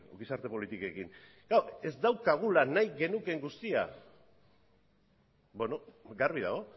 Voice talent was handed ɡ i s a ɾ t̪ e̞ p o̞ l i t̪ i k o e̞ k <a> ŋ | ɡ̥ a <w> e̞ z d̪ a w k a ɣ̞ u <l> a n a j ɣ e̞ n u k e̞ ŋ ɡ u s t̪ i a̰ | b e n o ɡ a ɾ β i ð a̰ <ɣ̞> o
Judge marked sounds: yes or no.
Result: no, yes, yes, yes

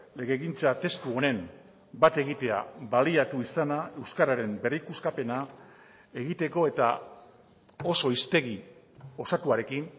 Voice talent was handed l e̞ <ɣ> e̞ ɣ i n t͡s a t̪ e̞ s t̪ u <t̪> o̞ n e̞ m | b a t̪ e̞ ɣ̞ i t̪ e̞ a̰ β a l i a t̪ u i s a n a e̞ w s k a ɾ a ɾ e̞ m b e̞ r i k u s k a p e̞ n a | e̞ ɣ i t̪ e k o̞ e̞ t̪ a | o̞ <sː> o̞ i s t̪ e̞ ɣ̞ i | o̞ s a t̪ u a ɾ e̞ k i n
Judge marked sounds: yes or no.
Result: yes, no, no

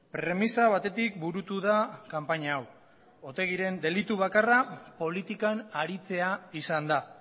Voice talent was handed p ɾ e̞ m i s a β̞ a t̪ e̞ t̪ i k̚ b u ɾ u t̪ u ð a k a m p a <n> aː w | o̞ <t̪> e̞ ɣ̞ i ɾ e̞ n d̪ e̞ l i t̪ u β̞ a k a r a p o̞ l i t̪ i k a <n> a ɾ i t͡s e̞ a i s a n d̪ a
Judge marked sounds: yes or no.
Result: no, yes, yes

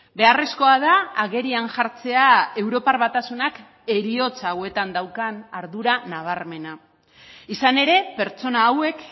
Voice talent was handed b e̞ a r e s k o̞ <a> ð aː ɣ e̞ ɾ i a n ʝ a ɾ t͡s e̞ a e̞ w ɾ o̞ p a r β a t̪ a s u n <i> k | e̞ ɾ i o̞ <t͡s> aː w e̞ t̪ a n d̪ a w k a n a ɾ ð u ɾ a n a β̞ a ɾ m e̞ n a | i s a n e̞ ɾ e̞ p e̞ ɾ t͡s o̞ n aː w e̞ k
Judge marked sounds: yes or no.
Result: yes, no, yes

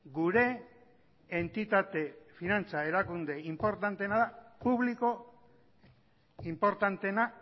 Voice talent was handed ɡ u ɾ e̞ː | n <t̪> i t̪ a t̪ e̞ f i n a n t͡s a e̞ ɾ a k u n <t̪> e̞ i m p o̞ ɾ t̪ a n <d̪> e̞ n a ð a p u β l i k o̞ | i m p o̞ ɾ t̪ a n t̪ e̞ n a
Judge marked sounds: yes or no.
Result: yes, no, no

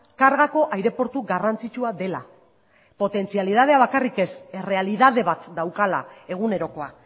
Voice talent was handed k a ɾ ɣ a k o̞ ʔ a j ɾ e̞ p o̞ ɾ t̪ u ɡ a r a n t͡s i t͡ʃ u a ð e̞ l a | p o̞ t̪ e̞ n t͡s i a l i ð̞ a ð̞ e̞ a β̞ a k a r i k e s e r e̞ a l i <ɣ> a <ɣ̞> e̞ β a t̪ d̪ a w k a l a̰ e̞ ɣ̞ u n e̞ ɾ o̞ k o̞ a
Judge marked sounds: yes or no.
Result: no, no

